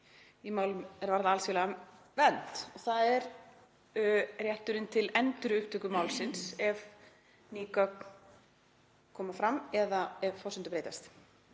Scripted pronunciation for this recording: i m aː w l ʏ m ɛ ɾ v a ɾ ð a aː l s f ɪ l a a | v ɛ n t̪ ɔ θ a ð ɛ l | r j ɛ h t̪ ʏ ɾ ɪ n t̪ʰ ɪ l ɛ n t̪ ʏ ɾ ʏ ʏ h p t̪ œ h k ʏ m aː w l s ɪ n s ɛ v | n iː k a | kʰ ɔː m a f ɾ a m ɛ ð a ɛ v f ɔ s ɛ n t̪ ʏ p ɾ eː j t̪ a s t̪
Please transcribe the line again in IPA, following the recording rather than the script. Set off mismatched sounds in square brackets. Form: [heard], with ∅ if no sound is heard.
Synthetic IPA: i m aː w l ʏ m ɛ ɾ v a ɾ ð a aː l s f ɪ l a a | v ɛ n t̪ ɔ θ a ð ɛ [ɾ] | r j ɛ h t̪ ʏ ɾ ɪ n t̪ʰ ɪ l ɛ n t̪ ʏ ɾ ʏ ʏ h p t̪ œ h k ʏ m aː w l s ɪ n s ɛ v | n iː k a | kʰ ɔː m a f ɾ a m ɛ ð a ɛ v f ɔ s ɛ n t̪ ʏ p ɾ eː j t̪ a s t̪